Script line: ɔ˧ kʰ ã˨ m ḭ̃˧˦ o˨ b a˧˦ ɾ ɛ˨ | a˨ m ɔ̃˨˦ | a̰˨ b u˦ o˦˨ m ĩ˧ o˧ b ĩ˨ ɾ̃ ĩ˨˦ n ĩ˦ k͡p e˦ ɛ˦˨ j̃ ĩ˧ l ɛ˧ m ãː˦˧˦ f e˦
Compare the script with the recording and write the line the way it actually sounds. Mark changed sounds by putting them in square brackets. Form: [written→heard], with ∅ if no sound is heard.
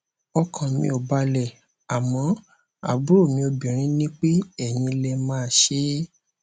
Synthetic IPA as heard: ɔ˧ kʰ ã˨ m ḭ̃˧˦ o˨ b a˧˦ [ɾ→l] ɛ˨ | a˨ m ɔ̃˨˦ | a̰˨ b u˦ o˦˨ m ĩ˧ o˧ b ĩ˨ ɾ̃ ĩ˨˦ n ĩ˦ k͡p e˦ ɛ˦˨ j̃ ĩ˧ l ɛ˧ m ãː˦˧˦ [f→ʃ] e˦